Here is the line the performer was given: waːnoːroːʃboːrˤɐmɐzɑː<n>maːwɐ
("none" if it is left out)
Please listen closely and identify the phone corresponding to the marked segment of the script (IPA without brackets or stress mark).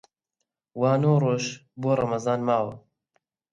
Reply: n